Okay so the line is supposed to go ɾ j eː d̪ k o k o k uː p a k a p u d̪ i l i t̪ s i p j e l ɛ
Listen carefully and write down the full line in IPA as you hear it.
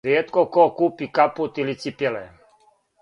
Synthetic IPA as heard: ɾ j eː t̪ k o k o k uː p i k a p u t̪ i l i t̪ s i p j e l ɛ